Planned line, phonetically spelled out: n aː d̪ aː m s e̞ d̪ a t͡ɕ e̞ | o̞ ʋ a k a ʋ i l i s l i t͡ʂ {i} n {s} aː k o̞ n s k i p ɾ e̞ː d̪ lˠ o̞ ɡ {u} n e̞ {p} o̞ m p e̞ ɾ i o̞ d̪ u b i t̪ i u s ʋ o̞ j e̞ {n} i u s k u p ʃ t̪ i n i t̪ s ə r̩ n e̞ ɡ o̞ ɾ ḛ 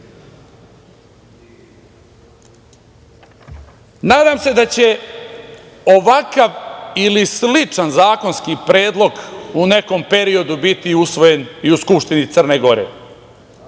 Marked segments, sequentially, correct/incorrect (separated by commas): incorrect, incorrect, correct, incorrect, correct